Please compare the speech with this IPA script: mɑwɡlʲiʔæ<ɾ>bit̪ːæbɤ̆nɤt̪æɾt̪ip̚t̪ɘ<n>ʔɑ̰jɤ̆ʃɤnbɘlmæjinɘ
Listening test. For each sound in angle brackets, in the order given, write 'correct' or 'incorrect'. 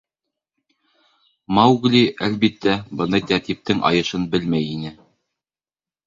incorrect: l, incorrect: ŋ

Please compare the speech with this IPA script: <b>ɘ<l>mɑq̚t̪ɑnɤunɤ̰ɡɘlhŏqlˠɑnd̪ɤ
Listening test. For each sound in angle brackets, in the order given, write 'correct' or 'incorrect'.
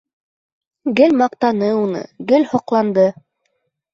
incorrect: ɡ, correct

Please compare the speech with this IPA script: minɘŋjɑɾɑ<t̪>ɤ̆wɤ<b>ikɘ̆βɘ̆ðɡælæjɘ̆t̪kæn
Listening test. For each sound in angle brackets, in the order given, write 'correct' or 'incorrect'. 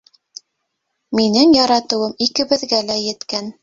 correct, incorrect: m

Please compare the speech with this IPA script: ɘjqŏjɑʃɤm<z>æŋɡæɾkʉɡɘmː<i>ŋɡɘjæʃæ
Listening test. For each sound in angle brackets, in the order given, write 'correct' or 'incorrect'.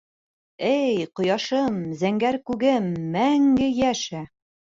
correct, incorrect: æ

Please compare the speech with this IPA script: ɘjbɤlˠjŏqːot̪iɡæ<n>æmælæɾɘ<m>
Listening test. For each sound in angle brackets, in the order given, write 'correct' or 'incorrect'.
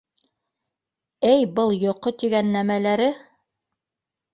incorrect: nː, incorrect: none

